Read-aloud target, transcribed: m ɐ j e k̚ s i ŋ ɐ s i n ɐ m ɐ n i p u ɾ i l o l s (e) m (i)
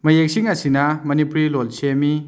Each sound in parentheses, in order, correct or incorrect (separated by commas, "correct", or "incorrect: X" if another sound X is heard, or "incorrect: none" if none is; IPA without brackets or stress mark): correct, correct